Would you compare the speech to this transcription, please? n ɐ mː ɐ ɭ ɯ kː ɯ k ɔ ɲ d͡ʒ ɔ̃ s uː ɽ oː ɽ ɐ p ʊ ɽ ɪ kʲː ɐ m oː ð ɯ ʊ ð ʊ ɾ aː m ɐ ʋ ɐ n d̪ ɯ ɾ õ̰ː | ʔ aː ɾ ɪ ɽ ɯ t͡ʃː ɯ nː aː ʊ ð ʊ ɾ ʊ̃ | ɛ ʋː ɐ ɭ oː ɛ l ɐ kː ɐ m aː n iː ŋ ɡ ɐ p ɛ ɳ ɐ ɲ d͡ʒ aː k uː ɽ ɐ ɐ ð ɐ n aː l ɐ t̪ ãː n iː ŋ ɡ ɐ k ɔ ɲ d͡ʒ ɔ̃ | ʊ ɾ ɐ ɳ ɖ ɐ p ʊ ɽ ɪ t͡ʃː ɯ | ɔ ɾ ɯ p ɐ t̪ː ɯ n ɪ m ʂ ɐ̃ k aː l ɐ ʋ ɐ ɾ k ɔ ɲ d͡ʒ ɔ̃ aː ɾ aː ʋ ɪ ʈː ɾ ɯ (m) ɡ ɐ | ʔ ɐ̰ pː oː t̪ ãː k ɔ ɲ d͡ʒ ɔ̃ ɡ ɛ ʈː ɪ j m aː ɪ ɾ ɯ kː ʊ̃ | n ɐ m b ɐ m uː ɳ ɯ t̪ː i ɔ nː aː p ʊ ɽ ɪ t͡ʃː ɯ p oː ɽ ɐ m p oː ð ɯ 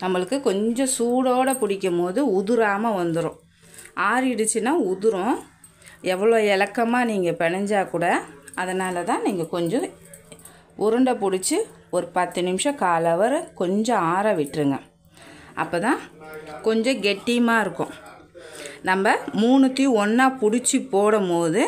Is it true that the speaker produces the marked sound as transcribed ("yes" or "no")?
no